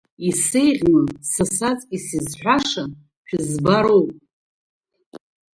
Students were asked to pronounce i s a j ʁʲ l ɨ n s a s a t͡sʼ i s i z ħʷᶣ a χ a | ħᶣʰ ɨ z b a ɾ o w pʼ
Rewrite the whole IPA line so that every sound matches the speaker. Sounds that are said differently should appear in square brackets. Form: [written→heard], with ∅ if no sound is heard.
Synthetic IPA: i s [a→e] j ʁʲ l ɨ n s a s a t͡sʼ i s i z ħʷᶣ a [χ→ʂ] a | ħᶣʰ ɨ z b a ɾ o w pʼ